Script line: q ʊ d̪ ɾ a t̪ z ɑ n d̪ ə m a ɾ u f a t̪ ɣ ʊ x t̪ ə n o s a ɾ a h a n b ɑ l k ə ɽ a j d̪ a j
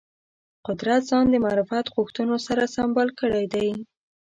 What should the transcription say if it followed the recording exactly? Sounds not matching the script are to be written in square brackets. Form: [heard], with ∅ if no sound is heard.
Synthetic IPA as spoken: q ʊ d̪ ɾ a t̪ z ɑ n d̪ ə m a ɾ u f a t̪ ɣ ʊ x t̪ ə n o s a ɾ a [s] a [m] b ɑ l k ə ɽ a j d̪ a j